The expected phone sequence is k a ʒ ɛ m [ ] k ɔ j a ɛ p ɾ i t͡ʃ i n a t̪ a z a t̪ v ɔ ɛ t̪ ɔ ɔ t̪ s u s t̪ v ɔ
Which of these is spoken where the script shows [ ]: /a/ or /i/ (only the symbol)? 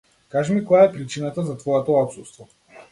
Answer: i